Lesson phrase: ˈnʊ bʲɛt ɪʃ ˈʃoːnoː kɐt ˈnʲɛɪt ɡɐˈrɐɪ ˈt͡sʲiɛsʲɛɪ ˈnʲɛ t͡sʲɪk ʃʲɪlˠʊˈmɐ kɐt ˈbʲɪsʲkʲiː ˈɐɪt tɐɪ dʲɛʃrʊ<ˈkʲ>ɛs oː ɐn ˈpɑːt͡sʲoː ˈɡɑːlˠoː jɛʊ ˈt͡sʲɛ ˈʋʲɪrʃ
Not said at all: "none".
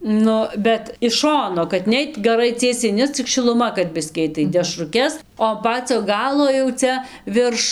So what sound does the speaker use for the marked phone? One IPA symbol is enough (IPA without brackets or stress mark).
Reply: kʲ